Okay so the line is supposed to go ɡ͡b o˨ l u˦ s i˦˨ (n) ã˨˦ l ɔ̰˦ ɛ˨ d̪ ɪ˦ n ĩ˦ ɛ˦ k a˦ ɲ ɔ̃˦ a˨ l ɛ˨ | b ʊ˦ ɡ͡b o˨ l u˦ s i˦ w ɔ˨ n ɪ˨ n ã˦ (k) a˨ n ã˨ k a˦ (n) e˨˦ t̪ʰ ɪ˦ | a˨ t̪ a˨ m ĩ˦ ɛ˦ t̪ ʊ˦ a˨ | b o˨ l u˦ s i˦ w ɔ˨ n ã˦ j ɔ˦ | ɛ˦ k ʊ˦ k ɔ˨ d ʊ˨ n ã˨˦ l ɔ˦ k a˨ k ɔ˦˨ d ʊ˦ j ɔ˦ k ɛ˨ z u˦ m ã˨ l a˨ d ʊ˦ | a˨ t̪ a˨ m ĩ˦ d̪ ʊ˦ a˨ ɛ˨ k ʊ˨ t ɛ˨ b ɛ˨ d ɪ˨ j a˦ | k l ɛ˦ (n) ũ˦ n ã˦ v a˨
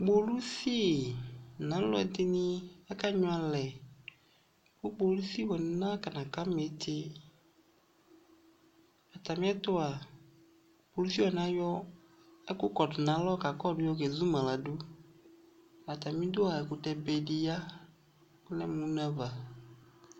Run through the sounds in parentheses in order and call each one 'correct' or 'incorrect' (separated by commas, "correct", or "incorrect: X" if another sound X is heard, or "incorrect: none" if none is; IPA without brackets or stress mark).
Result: correct, correct, incorrect: m, incorrect: m